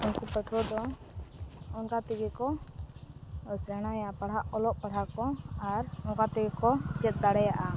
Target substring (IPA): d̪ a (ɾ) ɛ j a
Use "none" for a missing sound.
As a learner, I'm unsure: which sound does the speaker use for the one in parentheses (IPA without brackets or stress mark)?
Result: ɽ